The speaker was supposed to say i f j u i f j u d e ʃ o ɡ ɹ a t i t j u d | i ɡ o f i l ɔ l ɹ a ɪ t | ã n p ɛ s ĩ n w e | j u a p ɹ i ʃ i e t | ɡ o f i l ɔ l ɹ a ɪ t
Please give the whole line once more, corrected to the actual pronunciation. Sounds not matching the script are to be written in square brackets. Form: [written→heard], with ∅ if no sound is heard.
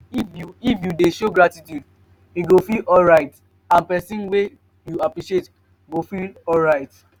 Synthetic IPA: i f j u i f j u d e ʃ o ɡ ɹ a t i t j u d | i ɡ o f i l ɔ l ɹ a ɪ t | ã n p ɛ s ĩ n w e | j u a p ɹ i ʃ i e t | ɡ o f i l ɔ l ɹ a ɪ t